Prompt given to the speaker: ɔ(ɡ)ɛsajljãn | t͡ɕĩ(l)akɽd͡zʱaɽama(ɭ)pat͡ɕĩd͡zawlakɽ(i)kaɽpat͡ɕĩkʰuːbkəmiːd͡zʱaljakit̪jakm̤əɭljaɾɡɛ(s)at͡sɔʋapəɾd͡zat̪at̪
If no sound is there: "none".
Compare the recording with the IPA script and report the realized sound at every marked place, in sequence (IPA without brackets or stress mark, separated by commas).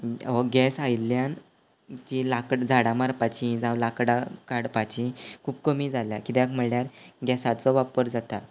ɡ, l, ɾ, a, s